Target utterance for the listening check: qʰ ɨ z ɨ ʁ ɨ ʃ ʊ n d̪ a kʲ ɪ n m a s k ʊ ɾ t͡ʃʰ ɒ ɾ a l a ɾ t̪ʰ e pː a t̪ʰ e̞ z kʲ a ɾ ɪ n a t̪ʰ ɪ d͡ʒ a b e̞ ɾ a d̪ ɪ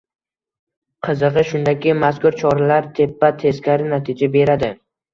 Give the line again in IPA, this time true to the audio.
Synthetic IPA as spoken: qʰ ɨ z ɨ ʁ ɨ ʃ ʊ n d̪ a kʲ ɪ m a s k ʊ ɾ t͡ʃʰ ɒ ɾ a l a ɾ t̪ʰ e pː a t̪ʰ e̞ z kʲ a ɾ ɪ n a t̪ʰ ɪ d͡ʒ a b e̞ ɾ a d̪ ɪ